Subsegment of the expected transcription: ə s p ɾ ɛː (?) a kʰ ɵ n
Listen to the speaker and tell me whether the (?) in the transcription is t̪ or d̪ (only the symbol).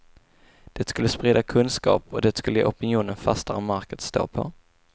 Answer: d̪